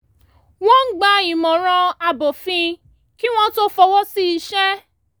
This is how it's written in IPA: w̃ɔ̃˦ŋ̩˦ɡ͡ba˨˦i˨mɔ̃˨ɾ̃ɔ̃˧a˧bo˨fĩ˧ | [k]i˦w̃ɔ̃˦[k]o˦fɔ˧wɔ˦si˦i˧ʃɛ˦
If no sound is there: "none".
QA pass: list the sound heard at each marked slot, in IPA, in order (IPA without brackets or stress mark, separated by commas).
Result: k, t